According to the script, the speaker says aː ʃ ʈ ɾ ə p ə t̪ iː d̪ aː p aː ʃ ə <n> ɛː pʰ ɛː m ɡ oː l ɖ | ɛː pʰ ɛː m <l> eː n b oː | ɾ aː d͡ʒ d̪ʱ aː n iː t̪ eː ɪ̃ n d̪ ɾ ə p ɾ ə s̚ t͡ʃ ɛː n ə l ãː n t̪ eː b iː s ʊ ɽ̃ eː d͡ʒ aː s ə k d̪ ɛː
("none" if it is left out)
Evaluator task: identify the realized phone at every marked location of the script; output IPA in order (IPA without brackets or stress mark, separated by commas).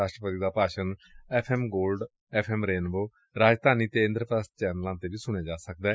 n, ɾ